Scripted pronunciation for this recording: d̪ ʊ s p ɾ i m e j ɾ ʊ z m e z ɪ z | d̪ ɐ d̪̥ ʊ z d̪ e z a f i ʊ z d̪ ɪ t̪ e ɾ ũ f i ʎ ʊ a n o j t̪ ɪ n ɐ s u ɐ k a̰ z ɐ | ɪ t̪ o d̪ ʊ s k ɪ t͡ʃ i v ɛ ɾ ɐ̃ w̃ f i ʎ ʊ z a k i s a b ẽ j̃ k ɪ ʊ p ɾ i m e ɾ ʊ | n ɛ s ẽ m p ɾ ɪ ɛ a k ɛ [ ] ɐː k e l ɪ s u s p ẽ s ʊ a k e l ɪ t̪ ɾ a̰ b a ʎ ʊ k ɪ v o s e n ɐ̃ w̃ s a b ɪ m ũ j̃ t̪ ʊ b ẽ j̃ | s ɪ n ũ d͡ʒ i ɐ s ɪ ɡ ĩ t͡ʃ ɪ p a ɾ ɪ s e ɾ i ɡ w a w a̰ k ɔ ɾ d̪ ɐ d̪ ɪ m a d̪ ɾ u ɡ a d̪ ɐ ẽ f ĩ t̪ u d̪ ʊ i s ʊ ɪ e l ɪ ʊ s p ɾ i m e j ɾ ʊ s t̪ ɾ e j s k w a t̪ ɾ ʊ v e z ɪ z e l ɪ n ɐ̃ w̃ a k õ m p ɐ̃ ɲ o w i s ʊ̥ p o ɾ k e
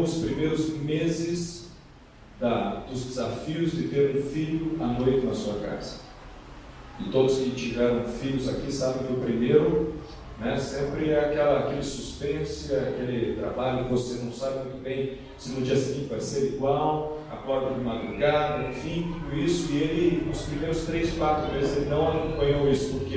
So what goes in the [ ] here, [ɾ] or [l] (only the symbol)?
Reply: l